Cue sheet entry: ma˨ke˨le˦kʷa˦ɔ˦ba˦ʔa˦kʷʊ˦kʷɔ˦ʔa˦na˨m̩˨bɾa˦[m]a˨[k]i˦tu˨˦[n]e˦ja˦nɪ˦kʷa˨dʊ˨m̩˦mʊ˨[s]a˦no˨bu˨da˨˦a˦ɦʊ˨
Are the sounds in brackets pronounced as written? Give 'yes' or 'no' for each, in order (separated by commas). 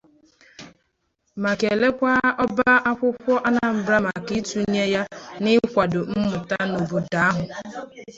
yes, yes, no, no